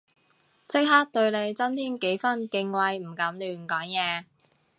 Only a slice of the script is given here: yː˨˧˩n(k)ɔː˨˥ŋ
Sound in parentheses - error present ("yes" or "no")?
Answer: no